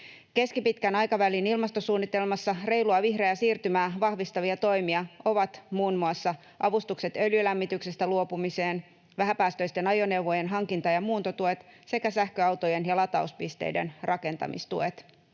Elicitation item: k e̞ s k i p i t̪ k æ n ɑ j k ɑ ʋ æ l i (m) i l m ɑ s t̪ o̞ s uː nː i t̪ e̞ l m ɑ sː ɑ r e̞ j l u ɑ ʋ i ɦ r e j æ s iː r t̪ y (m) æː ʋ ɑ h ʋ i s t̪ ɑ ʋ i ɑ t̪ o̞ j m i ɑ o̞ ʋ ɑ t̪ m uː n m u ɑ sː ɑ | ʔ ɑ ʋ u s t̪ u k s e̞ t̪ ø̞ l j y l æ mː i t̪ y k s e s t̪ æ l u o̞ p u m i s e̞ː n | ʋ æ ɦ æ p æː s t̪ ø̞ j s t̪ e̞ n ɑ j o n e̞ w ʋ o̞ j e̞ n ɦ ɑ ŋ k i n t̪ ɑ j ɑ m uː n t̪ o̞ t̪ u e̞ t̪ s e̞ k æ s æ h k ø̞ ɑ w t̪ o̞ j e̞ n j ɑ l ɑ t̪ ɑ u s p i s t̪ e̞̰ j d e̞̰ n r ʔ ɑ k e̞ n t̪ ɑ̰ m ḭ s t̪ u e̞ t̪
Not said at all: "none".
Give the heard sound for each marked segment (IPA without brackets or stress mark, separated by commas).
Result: n, m